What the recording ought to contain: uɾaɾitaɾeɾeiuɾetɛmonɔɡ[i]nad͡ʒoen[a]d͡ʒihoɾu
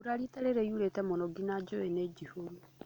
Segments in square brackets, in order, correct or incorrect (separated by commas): correct, incorrect